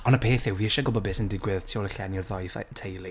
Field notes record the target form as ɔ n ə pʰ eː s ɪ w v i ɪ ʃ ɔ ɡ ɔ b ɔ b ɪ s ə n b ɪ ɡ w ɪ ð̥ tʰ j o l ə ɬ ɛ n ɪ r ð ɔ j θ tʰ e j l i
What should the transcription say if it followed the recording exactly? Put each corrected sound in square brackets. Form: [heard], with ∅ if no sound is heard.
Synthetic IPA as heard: ɔ n ə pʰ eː [θ] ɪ w v i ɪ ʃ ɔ ɡ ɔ b ɔ b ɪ s ə n [d] ɪ ɡ w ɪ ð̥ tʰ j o l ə ɬ ɛ n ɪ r ð ɔ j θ tʰ e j l i